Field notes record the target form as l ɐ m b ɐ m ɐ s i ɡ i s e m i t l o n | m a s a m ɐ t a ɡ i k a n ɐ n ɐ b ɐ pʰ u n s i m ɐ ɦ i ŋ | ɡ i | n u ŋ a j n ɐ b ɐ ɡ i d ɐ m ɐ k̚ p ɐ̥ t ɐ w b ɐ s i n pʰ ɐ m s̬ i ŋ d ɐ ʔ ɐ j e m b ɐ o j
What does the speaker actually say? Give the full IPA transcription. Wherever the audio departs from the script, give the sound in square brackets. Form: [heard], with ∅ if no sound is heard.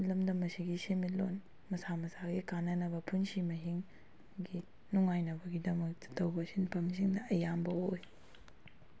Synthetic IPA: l ɐ m [d] ɐ m ɐ s i ɡ i s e m i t l o n | m [ɐ] s a m ɐ [s] a ɡ i k a n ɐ n ɐ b ɐ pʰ u n s i m ɐ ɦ i ŋ | ɡ i | n u ŋ a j n ɐ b ɐ ɡ i d ɐ m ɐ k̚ [t] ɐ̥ t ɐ w b ɐ s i n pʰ ɐ m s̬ i ŋ d ɐ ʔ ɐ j [a] m b ɐ o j